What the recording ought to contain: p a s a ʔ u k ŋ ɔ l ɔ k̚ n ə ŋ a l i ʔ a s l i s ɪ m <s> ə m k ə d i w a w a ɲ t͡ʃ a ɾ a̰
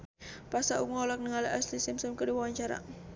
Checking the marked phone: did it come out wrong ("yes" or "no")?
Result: no